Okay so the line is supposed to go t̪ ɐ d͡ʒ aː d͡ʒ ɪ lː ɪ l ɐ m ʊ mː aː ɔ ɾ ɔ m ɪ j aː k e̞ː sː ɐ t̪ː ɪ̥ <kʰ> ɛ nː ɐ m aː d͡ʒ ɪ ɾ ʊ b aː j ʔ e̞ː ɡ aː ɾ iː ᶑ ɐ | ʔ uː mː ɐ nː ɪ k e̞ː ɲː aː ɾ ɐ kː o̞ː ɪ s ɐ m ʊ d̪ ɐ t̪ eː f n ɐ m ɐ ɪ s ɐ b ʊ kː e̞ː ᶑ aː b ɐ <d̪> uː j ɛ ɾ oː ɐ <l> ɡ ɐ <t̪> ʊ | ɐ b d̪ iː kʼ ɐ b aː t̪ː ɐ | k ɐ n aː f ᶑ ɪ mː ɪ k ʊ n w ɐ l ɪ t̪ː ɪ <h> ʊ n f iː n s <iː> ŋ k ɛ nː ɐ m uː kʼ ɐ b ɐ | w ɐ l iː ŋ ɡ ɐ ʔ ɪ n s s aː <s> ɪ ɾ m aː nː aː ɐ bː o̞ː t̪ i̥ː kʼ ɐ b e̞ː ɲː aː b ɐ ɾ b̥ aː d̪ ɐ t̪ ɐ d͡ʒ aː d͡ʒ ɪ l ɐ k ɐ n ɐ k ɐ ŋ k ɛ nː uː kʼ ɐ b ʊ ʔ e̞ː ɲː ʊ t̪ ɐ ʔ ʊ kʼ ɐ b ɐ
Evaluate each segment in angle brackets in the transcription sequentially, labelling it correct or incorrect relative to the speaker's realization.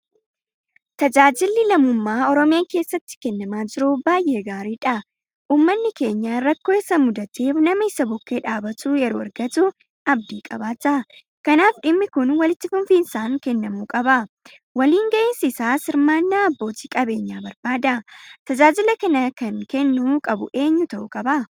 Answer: incorrect: k, incorrect: t̪, incorrect: ɾ, correct, incorrect: f, incorrect: aː, correct

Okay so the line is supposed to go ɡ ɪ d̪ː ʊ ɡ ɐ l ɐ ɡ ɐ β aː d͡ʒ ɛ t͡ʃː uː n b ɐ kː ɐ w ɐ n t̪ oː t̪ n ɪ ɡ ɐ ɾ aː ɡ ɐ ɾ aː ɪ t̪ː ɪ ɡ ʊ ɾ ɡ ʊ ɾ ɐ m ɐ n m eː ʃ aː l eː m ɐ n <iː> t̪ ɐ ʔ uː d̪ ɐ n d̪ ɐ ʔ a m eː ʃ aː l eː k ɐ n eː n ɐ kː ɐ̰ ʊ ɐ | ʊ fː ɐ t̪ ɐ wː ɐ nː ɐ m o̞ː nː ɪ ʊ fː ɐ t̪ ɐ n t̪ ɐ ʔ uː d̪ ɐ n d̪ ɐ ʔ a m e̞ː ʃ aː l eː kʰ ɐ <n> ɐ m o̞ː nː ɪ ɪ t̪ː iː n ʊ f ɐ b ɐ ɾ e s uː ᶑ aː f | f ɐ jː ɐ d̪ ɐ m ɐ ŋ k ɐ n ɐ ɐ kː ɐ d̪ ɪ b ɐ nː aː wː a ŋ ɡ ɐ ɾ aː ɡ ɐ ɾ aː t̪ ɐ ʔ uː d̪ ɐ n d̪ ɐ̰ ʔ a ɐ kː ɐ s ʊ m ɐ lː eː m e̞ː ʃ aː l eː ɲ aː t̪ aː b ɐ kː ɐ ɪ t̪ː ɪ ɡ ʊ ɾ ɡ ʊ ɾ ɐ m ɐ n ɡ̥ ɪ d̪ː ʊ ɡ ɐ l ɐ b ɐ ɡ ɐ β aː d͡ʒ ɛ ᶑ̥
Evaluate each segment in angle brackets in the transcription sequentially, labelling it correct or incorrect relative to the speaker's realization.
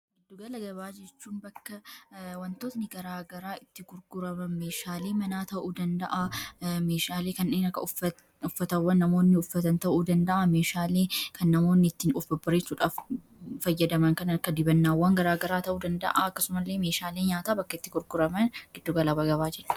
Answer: incorrect: aː, incorrect: nː

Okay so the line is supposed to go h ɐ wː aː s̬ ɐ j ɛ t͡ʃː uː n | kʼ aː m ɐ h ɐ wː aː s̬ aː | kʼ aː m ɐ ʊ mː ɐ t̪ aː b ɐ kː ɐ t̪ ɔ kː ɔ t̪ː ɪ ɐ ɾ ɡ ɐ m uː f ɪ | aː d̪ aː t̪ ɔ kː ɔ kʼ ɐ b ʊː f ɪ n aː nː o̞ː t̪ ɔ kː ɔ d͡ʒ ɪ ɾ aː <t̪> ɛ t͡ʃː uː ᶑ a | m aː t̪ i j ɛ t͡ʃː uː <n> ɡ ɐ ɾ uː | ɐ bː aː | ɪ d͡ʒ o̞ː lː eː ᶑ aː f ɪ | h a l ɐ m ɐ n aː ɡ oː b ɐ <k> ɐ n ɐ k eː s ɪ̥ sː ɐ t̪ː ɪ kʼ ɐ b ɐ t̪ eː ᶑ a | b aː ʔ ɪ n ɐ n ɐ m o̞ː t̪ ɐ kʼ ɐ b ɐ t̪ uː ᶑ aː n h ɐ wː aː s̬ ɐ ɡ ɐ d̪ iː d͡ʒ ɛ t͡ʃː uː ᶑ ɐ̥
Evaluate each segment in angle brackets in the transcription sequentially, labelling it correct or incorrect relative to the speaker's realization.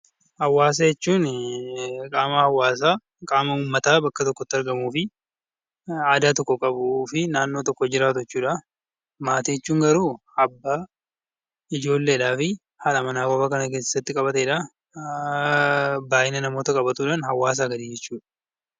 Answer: correct, incorrect: ŋ, correct

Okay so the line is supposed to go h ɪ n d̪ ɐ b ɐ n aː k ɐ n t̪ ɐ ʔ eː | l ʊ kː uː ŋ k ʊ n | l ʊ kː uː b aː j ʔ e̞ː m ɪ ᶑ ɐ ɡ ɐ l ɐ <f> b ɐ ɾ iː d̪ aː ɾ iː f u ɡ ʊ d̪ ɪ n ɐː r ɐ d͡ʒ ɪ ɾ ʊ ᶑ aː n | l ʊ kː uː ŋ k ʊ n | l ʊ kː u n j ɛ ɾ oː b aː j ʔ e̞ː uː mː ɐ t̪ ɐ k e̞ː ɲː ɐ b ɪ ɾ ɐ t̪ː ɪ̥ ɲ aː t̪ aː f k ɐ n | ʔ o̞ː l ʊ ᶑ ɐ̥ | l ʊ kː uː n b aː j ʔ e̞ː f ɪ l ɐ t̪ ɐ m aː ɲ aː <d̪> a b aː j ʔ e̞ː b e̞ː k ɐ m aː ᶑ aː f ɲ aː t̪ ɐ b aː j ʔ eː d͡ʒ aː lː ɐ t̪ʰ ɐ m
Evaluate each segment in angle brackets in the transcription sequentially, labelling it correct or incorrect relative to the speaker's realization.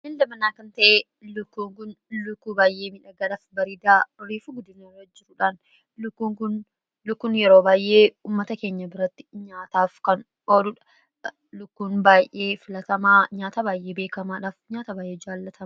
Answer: correct, incorrect: t̪

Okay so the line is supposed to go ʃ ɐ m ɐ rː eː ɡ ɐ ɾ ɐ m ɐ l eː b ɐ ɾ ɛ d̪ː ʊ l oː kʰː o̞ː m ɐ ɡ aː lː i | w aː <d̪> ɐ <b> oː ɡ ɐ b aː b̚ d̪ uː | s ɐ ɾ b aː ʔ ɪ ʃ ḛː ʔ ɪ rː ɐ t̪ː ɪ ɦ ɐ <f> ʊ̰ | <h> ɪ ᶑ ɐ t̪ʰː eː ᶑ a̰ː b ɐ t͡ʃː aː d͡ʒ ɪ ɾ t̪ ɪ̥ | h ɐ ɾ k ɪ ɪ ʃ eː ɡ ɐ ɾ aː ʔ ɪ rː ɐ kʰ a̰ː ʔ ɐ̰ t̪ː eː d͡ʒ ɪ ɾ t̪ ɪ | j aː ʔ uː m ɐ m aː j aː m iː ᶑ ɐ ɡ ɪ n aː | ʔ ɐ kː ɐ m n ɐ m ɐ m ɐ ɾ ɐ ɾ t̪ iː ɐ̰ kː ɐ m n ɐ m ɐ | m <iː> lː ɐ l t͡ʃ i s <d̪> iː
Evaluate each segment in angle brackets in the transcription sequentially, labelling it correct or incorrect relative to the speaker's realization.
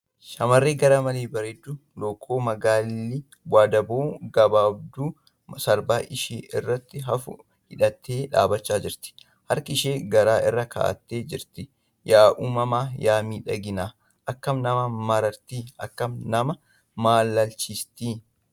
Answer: correct, correct, correct, correct, incorrect: aː, incorrect: t̪

